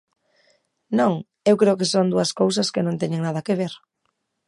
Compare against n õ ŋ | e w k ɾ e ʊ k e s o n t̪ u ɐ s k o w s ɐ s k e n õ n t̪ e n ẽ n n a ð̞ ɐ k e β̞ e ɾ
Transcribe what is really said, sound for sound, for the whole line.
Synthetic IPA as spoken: n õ ŋ | e w k ɾ e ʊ k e s o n d̪ u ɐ s k o w s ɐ s k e n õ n t̪ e ɲ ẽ ŋ n a ð̞ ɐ k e β̞ e ɾ